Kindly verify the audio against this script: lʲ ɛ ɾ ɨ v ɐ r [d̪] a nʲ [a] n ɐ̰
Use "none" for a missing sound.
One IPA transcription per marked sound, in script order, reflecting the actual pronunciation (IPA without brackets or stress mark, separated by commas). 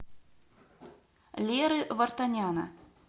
t̪, a